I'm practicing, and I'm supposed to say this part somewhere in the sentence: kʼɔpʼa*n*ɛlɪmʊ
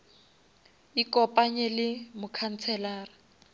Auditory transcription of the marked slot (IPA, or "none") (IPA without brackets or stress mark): ɲ